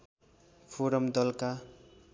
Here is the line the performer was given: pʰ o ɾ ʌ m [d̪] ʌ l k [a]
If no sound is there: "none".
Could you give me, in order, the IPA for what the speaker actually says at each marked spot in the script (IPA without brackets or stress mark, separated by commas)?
d̪, a